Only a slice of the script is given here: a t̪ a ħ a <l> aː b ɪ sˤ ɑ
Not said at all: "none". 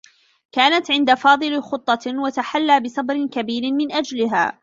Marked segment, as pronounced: lː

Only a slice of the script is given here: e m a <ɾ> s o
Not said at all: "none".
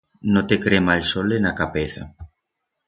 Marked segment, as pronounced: l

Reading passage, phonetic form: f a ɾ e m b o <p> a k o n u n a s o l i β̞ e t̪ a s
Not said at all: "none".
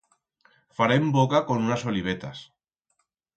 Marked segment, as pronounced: k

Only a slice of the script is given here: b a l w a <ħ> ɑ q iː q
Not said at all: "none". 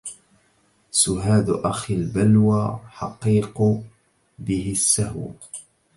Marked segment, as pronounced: ħ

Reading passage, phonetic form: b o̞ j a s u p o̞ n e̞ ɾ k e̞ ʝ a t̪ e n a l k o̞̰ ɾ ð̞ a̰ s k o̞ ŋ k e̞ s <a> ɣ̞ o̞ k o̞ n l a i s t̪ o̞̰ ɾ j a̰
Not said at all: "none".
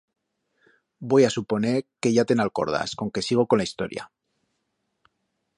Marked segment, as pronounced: i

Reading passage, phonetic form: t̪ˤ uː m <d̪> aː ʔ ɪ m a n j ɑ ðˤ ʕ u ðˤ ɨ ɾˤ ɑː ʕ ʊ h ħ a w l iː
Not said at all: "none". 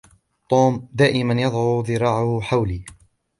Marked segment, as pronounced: d̪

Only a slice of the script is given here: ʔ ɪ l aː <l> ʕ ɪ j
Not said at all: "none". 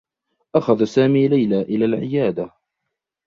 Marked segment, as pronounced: l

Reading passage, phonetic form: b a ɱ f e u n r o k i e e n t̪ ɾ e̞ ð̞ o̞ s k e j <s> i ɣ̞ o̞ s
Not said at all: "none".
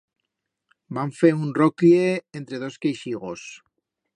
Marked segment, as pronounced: ʃ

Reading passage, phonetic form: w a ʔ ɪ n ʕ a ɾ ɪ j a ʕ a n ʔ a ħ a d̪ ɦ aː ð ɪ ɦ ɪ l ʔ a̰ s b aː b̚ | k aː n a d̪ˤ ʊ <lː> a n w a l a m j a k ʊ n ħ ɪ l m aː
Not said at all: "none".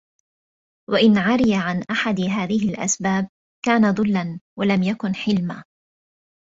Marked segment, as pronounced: lː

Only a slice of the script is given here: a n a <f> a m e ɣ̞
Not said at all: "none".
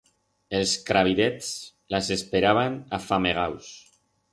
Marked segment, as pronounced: f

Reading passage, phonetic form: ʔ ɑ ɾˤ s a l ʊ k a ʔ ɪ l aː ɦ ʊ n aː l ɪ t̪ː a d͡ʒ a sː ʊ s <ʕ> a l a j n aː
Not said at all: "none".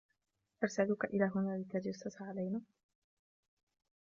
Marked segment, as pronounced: ʕ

